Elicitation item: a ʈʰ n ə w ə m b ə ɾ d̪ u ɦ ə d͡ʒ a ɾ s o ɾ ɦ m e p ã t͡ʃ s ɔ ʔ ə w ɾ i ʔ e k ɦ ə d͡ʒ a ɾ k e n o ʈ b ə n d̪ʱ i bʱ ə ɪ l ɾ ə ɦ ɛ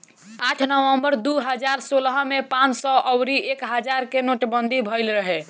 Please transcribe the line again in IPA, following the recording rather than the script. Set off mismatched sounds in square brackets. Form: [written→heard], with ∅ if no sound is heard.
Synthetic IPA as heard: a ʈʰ n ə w ə m b ə ɾ d̪ u ɦ ə d͡ʒ a ɾ s o [ɾ→l] ɦ m e p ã t͡ʃ s ɔ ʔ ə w ɾ i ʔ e k ɦ ə d͡ʒ a ɾ k e n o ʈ b ə n d̪ʱ i bʱ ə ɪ l ɾ ə ɦ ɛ